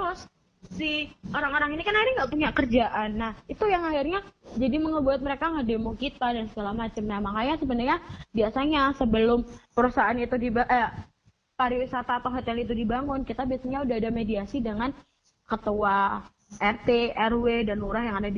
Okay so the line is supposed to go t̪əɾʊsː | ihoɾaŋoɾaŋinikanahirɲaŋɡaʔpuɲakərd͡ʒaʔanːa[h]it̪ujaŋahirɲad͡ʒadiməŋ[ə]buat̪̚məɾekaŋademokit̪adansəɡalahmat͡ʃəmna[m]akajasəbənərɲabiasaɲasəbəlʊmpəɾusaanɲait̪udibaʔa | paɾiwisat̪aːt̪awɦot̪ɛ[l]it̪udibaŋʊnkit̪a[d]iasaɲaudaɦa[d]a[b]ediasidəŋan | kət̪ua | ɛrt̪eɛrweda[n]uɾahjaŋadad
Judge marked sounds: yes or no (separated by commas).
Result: yes, yes, yes, yes, no, yes, no, yes